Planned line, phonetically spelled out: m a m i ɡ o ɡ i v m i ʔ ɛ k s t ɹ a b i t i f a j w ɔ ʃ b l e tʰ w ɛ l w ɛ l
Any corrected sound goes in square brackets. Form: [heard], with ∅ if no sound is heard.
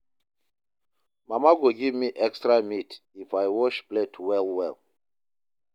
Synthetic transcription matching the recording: m a m [a] ɡ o ɡ i v m i ʔ ɛ k s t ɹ a [m] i t i f a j w ɔ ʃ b l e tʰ w ɛ l w ɛ l